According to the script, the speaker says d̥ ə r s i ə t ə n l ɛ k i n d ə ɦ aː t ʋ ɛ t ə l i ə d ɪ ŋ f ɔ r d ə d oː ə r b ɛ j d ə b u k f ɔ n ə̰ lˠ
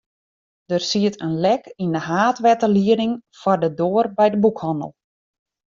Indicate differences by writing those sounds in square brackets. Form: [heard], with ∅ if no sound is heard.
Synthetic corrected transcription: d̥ ə r s i ə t ə n l ɛ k i n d ə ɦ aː t ʋ ɛ t ə l i ə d ɪ ŋ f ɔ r d ə d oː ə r b ɛ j d ə b u k [h] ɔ n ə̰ lˠ

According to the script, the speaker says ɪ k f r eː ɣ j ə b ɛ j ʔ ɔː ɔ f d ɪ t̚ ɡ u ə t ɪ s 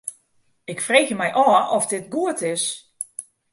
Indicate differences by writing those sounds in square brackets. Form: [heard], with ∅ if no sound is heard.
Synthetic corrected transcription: ɪ k f r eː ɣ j ə [m] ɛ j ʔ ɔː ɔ f d ɪ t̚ ɡ u ə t ɪ s

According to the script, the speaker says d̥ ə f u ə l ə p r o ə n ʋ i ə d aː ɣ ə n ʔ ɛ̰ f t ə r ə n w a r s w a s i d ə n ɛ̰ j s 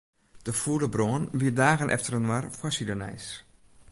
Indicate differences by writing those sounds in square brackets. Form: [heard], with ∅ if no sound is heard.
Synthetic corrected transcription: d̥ ə f u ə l ə [b] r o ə n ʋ i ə d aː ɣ ə n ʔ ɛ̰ f t ə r ə n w a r [f] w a s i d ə n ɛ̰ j s

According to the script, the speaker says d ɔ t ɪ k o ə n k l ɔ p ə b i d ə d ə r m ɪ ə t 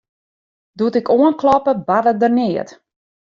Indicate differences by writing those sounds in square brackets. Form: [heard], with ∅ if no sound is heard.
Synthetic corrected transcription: d [u] t ɪ k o ə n k l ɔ p ə b [a] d ə d ə r [n] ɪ ə t

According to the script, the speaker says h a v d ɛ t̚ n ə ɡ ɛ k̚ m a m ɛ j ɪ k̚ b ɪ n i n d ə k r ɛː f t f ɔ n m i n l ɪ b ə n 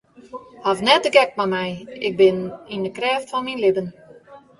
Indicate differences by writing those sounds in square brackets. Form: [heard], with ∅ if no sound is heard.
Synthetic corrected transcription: h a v [n] ɛ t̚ [d] ə ɡ ɛ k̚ m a m ɛ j ɪ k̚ b ɪ n i n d ə k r ɛː f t f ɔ n m i n l ɪ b ə n

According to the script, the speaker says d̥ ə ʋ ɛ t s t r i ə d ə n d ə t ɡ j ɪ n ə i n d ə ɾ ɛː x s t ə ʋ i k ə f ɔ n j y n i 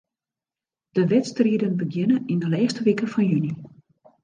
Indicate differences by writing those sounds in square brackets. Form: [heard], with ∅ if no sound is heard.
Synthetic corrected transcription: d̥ ə ʋ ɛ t s t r i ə d ə n [b] ə [∅] ɡ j ɪ n ə i n d ə [l] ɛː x s t ə ʋ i k ə f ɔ n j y n i

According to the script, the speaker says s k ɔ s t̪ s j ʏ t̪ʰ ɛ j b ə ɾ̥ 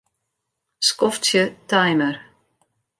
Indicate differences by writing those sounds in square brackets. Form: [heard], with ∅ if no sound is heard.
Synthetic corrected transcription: s k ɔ [f] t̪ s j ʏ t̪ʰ [a] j [m] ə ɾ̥

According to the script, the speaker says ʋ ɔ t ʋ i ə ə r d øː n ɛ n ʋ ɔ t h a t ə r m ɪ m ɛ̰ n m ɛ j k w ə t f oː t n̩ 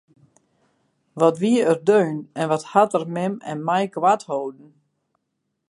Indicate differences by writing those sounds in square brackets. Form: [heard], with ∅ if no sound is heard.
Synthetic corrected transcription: ʋ ɔ t ʋ i ə ə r d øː n ɛ n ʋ ɔ t h a t ə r m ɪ m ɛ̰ n m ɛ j k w [a] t [h] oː [d] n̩

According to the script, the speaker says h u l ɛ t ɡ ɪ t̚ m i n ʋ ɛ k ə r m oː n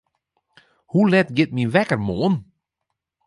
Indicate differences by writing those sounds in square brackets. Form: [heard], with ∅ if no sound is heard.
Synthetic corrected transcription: h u l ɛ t ɡ ɪ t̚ m i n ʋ ɛ k ə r m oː n

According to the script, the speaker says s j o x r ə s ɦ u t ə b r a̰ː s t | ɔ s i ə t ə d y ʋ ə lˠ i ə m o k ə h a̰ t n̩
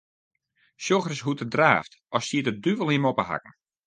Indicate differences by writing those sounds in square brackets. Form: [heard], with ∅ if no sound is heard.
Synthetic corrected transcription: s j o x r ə s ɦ u t ə [d] r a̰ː [f] t | ɔ s i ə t ə d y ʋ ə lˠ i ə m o [p] ə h a̰ [k] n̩

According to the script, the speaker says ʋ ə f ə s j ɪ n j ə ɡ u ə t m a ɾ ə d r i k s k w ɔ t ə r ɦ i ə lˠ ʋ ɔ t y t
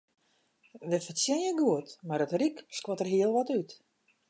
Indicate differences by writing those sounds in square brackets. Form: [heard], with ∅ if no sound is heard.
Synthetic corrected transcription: ʋ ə f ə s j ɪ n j ə ɡ u ə t m a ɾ ə [t] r i k s k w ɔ t ə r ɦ i ə lˠ ʋ ɔ t y t

